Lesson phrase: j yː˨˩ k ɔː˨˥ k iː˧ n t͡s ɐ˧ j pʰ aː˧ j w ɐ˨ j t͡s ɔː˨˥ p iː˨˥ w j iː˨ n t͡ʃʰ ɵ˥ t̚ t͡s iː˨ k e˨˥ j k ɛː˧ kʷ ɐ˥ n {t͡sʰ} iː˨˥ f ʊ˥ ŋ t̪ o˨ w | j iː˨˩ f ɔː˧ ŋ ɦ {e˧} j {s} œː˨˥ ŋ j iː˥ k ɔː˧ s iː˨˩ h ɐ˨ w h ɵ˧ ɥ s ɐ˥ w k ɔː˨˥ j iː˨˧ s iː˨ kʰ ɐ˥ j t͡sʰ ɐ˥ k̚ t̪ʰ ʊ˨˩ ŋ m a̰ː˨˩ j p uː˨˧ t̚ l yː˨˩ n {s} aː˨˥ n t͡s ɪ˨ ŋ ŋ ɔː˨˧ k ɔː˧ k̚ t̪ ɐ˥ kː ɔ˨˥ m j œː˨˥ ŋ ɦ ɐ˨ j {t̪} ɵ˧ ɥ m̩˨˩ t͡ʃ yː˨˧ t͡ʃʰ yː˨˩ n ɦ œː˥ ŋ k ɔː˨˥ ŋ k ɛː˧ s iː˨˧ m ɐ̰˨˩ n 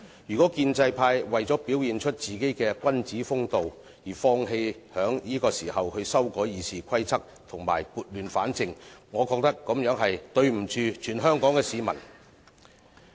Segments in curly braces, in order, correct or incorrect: incorrect: t͡s, correct, incorrect: h, incorrect: f, correct

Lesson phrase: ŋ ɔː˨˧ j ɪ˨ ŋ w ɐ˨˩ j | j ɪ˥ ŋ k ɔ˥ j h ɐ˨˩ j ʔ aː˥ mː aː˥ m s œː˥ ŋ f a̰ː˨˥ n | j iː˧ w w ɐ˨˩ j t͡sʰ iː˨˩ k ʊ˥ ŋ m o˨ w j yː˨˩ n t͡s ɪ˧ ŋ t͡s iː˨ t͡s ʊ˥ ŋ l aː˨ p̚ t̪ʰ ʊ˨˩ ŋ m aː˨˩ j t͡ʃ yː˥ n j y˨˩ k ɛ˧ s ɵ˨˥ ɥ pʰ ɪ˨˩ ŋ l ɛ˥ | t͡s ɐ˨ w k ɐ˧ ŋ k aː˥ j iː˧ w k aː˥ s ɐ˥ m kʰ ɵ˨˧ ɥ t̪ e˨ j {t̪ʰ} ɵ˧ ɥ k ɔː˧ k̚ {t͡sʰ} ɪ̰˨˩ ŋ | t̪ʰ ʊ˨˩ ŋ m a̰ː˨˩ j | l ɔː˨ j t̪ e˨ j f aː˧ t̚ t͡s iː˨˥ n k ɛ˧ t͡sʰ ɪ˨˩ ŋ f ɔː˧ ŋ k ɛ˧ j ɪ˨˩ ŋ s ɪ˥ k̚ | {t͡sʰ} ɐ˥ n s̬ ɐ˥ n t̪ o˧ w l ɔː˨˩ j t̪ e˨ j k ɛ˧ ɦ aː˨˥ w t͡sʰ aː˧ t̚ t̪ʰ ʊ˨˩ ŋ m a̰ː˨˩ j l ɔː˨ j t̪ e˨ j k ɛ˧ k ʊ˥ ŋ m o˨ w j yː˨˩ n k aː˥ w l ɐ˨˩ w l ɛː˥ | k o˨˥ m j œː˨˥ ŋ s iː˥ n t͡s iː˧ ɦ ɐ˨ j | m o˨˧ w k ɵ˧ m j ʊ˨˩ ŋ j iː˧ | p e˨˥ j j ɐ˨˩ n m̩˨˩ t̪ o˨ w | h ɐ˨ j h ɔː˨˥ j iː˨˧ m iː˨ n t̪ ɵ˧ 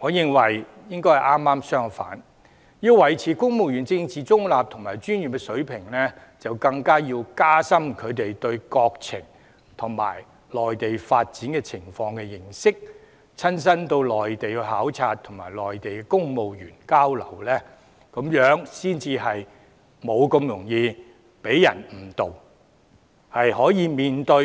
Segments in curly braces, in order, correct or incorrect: incorrect: t̪, correct, correct

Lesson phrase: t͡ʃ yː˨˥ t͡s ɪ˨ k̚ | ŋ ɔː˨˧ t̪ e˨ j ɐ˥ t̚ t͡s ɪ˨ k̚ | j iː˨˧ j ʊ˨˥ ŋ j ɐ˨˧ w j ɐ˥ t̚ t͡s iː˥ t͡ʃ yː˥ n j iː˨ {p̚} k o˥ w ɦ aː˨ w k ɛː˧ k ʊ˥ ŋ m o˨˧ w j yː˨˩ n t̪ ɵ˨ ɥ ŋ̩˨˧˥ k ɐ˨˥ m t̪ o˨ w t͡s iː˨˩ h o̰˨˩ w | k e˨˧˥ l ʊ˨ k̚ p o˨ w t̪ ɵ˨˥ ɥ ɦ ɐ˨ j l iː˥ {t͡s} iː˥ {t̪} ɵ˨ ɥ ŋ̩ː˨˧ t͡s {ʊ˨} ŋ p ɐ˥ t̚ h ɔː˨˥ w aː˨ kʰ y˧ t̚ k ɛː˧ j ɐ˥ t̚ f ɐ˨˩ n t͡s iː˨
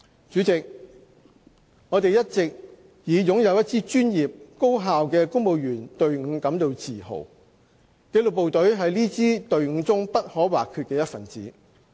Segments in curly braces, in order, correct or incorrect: correct, correct, correct, incorrect: ʊ˥

